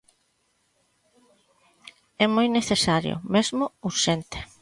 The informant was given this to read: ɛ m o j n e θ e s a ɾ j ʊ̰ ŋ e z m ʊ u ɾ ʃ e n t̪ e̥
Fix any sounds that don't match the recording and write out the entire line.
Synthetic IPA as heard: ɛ m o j n e θ e s a ɾ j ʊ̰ m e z m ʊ u ɾ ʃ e n t̪ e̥